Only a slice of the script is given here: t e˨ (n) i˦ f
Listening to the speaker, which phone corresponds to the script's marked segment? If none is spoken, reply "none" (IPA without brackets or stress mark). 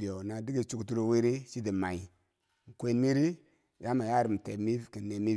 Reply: m